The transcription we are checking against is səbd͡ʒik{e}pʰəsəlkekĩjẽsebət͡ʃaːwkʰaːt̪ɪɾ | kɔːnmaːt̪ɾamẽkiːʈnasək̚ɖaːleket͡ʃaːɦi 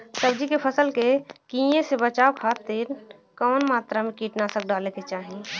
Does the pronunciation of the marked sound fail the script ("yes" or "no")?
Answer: no